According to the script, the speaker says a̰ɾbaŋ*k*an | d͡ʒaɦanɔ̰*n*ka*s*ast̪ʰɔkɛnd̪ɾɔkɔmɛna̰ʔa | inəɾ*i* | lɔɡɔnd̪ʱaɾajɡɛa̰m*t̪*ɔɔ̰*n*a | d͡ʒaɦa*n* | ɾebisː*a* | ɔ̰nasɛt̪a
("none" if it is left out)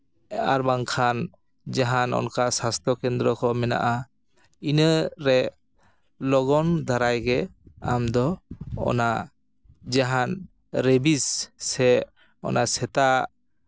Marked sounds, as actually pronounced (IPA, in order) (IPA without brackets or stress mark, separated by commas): kʰ, n, s, ɛ, d̪, n, n, ɛ